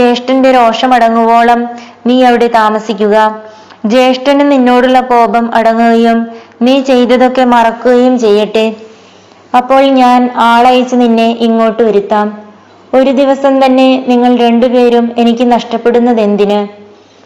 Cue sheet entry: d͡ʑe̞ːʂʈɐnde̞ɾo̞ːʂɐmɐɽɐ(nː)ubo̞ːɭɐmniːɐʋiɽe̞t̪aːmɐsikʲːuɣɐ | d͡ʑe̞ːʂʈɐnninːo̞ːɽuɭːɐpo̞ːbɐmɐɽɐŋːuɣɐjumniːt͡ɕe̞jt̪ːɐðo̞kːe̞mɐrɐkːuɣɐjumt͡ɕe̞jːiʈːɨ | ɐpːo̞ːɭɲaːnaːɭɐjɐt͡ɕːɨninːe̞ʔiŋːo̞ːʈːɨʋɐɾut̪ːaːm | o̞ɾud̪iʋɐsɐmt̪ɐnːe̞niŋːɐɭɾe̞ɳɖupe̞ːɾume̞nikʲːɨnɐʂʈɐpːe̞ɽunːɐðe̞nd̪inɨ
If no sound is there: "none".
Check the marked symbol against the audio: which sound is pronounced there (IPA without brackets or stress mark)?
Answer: ŋː